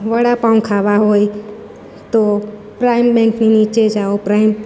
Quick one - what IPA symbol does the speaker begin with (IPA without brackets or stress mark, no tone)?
ʋ